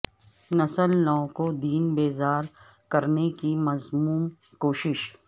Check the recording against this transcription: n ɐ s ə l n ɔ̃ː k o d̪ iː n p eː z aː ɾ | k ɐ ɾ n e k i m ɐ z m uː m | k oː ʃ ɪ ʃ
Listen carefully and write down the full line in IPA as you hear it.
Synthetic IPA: n ɐ s ə l n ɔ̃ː k o d̪ iː n b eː z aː ɾ | k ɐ ɾ n e k i m ɐ z m uː m | k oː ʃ ɪ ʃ